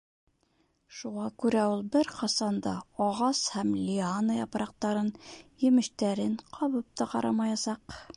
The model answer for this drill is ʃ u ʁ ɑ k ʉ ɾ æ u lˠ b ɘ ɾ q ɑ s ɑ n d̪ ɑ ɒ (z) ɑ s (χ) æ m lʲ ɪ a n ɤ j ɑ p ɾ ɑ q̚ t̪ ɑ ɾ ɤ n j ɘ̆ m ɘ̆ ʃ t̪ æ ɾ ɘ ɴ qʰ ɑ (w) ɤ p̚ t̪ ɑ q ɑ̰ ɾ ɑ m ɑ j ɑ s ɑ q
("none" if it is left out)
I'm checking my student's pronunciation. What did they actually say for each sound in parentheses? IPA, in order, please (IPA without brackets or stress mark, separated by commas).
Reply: ʁ, h, β